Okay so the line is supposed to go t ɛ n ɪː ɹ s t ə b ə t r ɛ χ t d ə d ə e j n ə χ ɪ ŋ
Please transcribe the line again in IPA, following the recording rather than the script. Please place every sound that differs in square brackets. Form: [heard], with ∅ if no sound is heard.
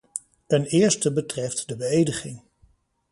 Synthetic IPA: t ɛ n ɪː ɹ s t ə b ə t r ɛ [f] t d ə [b] ə e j [d] ə χ ɪ ŋ